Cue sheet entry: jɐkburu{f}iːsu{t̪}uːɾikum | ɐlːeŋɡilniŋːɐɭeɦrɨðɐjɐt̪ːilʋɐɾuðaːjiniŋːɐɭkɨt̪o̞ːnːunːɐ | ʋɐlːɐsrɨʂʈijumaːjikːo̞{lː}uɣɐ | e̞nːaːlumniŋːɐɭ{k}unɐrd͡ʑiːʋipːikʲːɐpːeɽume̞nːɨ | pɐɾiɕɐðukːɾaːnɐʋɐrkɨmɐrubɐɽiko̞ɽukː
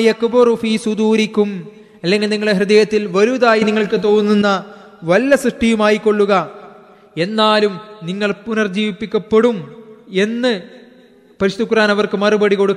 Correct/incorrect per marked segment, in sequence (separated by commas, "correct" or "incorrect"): correct, incorrect, incorrect, incorrect